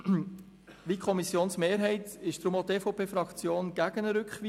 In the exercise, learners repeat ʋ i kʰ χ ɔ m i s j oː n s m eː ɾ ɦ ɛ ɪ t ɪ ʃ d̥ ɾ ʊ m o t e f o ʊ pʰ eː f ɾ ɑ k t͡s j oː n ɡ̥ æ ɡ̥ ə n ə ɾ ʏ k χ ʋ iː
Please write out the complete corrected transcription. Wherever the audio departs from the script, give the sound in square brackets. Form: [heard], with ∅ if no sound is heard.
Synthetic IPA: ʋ i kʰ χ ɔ m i s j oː n s m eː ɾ ɦ ɛ ɪ t ɪ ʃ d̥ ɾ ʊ m o t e f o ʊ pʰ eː f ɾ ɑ k t͡s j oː n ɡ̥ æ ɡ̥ ə n ə ɾ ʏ k χ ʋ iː